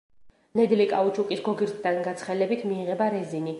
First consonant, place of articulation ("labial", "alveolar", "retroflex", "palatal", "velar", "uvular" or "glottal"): alveolar